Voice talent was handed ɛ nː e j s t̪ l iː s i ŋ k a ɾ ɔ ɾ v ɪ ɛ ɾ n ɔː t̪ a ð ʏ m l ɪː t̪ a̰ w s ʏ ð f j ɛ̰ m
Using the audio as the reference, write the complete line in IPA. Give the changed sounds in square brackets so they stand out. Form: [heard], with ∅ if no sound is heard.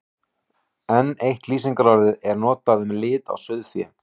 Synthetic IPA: ɛ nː e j [h] t̪ l iː s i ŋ k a ɾ ɔ ɾ [ð] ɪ ɛ ɾ n ɔː t̪ a ð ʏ m l ɪː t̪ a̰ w s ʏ ð f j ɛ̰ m